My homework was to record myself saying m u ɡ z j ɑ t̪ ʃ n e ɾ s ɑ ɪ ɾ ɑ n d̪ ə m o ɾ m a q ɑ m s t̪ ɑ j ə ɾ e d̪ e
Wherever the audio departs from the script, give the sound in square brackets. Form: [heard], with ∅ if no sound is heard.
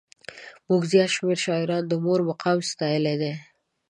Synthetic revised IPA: m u ɡ z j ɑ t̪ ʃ [m] e ɾ [ʃ] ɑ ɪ ɾ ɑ n d̪ ə m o ɾ m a q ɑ m s t̪ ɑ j ə [l] e d̪ e